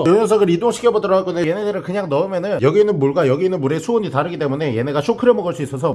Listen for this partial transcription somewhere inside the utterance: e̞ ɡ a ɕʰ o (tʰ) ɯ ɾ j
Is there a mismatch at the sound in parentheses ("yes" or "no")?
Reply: yes